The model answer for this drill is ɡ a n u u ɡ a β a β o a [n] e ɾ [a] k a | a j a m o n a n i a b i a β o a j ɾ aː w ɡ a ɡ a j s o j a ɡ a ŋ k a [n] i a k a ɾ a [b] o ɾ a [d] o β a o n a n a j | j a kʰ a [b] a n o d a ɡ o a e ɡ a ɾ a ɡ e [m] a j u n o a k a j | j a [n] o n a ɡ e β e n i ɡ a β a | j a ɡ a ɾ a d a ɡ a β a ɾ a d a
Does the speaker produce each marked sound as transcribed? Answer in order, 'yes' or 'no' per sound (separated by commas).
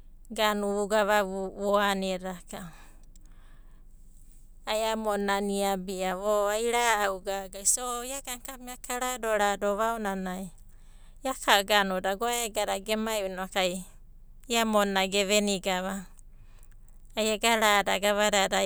yes, yes, no, no, yes, no, yes, no